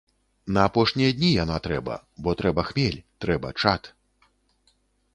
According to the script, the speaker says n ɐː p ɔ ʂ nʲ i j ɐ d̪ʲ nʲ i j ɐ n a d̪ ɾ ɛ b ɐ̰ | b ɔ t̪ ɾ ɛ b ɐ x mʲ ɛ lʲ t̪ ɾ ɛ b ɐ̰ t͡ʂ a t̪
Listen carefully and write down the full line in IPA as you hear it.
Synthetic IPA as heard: n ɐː p ɔ ʂ nʲ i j ɐ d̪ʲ nʲ i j a n a t̪ ɾ ɛ b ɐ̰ | b ɔ t̪ ɾ ɛ b ɐ x mʲ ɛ lʲ t̪ ɾ ɛ b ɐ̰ t͡ʂ a t̪